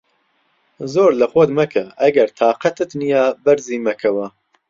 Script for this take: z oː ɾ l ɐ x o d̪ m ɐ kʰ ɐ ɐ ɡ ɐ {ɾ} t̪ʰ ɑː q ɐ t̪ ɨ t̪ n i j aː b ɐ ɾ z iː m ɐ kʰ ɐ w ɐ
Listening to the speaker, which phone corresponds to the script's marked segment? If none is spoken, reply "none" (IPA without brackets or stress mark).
ɾ